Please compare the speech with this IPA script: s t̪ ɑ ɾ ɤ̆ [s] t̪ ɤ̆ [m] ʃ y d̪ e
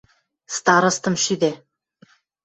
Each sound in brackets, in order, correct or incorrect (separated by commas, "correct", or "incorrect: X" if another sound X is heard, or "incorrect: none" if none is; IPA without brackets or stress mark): correct, correct